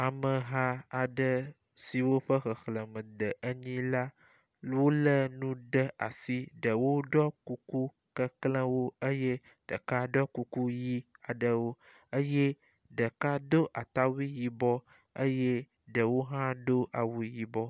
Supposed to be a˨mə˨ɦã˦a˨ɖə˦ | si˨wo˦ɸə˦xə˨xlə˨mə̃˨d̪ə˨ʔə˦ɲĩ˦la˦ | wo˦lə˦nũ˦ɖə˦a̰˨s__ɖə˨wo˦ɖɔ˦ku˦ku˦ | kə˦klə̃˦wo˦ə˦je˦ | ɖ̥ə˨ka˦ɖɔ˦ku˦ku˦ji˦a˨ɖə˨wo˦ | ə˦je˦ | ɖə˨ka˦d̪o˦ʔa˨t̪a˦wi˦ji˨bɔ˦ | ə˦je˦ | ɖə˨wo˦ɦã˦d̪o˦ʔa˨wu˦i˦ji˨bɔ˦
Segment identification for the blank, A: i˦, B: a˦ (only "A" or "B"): A